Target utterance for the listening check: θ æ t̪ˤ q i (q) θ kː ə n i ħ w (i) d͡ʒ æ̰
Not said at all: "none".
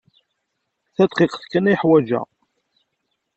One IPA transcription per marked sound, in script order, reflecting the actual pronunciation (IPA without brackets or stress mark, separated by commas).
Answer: q, æ